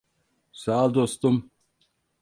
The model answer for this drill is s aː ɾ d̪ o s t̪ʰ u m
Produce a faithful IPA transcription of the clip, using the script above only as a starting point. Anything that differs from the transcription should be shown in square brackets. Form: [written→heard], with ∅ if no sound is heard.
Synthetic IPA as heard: s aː [ɾ→l] d̪ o s [t̪ʰ→t̪] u m

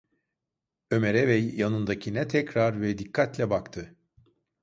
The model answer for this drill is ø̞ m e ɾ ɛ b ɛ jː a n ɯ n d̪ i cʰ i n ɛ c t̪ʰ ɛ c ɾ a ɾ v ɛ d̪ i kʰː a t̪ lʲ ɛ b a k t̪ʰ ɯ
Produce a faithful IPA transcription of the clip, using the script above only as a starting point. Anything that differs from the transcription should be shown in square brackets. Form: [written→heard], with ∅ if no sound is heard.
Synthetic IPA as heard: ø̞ m e ɾ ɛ [b→v] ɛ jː a n ɯ n d̪ [i→a] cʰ i n ɛ [c→∅] t̪ʰ ɛ c ɾ a ɾ v ɛ d̪ i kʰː a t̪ lʲ ɛ b a k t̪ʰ ɯ

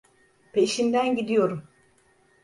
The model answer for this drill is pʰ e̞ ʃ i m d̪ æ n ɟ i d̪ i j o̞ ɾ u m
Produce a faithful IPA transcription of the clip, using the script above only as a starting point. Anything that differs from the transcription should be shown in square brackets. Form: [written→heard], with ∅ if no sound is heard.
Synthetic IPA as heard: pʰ e̞ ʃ i [m→n] d̪ æ n ɟ i d̪ i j o̞ ɾ u m

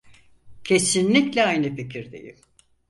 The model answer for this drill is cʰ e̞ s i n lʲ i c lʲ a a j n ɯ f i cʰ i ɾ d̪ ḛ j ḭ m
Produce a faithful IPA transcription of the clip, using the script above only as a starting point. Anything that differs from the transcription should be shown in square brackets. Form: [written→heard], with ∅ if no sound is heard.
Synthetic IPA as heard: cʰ e̞ s i n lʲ i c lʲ [a→ɛ] a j n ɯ f i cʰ i ɾ d̪ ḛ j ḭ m

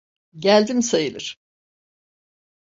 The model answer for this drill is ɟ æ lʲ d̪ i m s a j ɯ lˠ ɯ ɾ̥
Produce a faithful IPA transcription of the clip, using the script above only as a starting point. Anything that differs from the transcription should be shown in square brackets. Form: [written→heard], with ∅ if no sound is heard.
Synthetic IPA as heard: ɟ æ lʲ d̪ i m s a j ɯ lˠ ɯ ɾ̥

